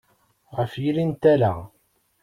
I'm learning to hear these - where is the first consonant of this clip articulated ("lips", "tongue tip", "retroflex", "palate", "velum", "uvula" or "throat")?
uvula